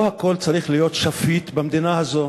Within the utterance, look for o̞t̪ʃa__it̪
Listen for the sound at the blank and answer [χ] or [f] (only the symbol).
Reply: f